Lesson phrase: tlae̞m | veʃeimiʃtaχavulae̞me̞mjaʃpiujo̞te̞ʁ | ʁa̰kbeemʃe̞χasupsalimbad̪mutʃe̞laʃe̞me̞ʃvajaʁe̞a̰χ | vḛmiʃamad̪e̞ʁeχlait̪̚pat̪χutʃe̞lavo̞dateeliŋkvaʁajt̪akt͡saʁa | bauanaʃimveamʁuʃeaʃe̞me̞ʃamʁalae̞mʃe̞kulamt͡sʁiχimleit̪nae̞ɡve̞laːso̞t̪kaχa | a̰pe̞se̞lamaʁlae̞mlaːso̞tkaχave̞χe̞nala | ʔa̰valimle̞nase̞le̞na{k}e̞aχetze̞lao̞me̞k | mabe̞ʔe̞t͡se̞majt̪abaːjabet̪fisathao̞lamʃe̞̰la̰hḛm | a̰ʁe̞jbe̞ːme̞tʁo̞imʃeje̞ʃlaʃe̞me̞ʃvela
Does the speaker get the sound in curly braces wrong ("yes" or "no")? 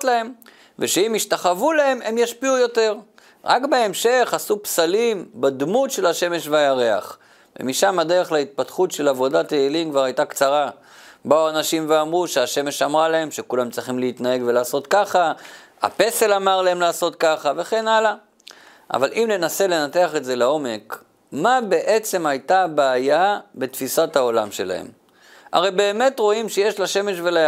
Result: yes